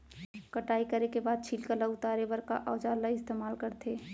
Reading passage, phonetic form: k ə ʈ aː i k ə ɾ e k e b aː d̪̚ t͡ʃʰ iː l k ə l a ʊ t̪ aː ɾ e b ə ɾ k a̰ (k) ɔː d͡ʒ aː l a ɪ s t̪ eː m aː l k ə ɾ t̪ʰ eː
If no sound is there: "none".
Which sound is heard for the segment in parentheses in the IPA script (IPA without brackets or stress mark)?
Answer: ʔ